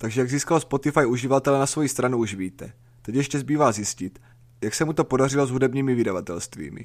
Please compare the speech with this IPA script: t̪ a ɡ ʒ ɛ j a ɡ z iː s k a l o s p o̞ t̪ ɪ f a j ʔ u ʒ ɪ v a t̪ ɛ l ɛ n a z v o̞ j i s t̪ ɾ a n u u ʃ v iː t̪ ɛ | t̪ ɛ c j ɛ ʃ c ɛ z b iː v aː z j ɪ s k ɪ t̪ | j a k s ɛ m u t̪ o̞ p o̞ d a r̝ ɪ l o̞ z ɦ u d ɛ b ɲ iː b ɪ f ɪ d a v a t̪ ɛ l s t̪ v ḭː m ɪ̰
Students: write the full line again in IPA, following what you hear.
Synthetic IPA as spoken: t̪ a ɡ ʒ ɛ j a ɡ z iː s k a l o s p o̞ t̪ ɪ f a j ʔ u ʒ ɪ v a t̪ ɛ l ɛ n a s v o̞ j i s t̪ ɾ a n u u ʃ v iː t̪ ɛ | t̪ ɛ c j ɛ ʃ c ɛ z b iː v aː z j ɪ s c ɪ t̪ | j a k s ɛ m u t̪ o̞ p o̞ d a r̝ ɪ l o̞ z ɦ u d ɛ b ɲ iː m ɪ v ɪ d a v a t̪ ɛ l s t̪ v ḭː m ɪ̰